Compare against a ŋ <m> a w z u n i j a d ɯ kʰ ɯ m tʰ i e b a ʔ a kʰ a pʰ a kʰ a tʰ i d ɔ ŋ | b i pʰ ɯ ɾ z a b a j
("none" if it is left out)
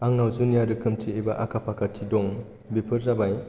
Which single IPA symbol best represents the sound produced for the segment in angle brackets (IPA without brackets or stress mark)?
n